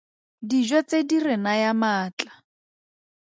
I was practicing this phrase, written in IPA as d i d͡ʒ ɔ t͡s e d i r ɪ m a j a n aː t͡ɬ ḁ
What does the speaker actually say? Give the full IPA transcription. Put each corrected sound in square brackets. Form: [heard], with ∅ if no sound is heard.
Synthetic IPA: d i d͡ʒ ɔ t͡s e d i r ɪ [n] a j a [m] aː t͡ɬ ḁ